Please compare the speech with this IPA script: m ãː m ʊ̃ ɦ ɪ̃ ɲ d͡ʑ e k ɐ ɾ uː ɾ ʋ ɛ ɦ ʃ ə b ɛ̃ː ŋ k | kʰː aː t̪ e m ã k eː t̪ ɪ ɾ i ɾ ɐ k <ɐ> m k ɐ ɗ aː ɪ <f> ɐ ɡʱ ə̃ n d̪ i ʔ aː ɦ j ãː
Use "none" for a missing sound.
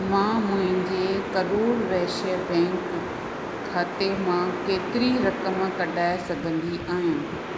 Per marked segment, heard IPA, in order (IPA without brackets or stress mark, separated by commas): ə, s